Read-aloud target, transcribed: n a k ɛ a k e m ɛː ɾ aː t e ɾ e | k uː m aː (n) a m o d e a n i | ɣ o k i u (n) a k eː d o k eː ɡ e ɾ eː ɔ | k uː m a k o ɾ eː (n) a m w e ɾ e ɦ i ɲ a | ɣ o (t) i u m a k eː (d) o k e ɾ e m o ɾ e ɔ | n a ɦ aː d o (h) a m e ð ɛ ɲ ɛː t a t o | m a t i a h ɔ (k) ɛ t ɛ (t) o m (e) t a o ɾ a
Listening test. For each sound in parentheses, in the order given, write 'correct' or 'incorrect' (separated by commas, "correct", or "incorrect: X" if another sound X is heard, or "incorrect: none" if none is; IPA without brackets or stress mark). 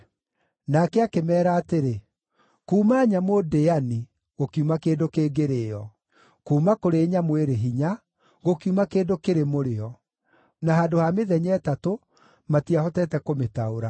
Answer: incorrect: ɲ, incorrect: m, incorrect: ɲ, incorrect: k, correct, correct, incorrect: t, incorrect: k, correct